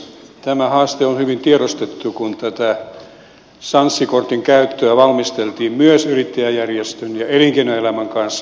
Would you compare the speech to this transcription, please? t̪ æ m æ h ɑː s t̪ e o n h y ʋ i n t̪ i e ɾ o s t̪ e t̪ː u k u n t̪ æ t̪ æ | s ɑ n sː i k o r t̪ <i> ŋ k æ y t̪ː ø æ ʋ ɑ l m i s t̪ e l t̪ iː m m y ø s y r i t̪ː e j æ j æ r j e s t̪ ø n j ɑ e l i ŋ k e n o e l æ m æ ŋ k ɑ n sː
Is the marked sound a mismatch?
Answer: no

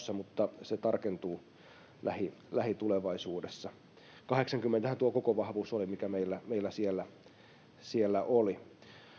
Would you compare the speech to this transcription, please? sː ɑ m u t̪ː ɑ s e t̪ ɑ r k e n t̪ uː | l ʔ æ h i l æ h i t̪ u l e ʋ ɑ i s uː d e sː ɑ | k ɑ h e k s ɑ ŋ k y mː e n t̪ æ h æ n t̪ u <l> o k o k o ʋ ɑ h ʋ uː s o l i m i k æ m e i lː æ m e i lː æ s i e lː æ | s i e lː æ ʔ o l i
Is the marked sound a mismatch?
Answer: yes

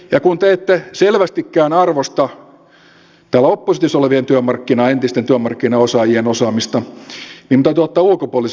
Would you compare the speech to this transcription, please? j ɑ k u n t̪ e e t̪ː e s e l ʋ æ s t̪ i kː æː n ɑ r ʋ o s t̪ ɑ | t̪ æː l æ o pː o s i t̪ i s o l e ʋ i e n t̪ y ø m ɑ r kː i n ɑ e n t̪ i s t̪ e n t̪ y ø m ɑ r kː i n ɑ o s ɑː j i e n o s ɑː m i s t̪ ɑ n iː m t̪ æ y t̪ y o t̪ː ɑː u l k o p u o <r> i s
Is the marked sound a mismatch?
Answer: yes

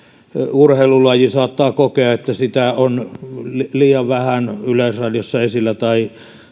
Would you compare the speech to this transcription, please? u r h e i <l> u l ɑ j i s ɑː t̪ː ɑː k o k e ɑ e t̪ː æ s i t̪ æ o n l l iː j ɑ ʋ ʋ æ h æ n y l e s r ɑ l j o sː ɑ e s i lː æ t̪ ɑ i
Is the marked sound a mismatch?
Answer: no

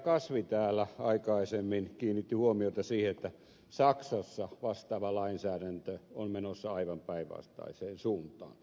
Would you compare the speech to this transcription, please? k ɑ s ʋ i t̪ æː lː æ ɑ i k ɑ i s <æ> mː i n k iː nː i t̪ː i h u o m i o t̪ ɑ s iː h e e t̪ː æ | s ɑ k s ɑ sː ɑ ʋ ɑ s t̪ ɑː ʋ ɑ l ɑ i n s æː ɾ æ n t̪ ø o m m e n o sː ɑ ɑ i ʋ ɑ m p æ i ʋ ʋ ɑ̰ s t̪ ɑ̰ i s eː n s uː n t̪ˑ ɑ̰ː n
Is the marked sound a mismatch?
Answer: yes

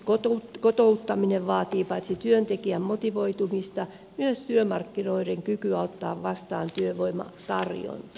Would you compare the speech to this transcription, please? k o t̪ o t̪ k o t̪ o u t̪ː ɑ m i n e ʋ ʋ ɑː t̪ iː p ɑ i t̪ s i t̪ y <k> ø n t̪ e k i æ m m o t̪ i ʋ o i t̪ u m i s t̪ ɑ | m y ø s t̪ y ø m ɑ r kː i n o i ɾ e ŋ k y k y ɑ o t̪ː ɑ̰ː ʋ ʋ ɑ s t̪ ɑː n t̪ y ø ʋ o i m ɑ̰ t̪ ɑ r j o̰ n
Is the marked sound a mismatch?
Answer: yes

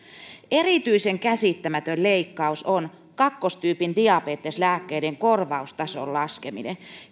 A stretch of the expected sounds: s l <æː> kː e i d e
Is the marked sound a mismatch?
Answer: no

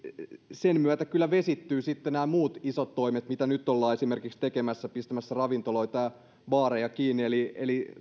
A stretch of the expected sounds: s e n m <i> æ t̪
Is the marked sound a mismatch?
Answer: yes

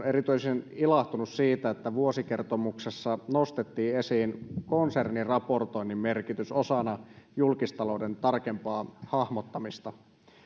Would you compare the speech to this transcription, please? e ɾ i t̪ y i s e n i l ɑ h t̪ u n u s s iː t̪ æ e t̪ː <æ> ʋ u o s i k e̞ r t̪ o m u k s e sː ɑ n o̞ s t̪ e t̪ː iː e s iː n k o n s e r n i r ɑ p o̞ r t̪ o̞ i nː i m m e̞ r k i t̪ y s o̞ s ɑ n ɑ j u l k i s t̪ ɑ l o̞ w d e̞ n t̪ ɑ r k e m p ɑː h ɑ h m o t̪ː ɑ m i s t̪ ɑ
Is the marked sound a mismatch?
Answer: no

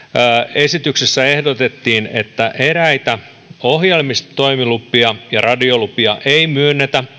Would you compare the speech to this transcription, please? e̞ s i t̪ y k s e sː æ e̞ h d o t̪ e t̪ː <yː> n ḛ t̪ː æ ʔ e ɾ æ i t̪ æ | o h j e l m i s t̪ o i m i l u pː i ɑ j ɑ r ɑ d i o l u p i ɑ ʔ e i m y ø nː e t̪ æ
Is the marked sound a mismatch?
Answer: yes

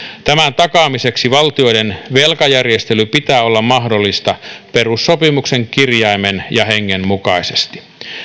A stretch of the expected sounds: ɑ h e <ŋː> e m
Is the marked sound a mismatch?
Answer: no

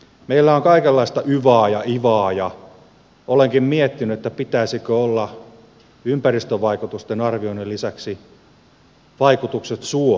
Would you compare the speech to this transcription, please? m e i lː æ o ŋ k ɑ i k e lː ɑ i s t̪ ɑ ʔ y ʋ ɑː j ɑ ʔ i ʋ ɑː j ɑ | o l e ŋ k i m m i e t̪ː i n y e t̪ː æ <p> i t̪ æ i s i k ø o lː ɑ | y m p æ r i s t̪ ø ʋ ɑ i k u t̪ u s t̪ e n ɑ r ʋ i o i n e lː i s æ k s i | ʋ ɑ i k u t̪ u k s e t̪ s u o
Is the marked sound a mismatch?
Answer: no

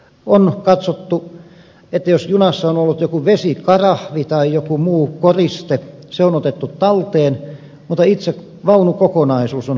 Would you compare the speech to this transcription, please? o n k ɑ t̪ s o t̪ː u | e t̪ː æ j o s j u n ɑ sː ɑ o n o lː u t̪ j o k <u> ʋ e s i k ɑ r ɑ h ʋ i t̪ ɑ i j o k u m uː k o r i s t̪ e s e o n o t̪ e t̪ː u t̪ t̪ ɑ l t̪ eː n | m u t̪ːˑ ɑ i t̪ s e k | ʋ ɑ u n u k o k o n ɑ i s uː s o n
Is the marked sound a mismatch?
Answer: no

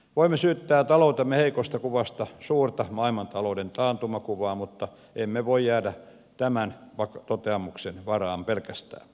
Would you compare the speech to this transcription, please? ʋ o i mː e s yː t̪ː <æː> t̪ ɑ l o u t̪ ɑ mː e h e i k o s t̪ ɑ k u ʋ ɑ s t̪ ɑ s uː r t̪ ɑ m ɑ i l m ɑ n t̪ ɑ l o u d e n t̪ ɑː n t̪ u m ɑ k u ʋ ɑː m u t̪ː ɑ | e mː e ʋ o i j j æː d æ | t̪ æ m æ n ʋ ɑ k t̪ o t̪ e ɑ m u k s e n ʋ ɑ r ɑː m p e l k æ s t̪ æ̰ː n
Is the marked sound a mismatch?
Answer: no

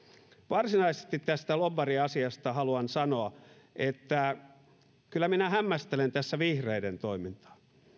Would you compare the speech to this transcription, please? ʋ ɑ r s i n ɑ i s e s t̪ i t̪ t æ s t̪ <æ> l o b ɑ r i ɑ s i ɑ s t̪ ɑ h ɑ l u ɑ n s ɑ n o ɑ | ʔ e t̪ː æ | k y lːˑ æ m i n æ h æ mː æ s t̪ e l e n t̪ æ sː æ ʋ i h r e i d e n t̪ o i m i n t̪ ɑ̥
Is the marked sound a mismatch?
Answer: no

